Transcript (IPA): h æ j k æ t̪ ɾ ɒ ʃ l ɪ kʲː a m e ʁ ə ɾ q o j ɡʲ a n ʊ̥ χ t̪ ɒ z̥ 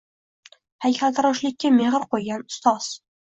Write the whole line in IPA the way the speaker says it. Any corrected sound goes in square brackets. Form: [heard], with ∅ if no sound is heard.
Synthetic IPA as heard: h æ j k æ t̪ ɾ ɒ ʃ l ɪ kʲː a m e ʁ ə ɾ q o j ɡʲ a n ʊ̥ [s] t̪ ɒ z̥